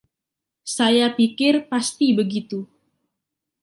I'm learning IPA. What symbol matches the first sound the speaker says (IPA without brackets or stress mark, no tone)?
s